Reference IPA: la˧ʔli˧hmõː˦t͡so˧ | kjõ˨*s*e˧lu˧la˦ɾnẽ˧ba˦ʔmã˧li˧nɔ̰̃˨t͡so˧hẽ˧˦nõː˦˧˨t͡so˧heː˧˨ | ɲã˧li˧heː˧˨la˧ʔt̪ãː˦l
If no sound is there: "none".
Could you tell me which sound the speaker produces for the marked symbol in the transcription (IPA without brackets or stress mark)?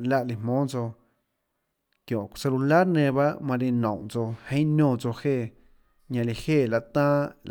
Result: s